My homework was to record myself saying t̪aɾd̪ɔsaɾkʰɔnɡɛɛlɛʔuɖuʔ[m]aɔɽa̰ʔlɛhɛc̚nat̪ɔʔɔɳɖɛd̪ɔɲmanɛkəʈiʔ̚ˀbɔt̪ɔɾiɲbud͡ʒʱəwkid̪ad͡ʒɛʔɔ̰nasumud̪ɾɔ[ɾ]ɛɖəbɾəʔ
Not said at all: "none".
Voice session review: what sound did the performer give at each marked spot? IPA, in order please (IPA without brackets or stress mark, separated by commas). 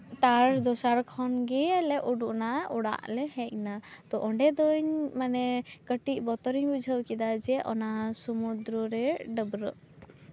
n, ɾ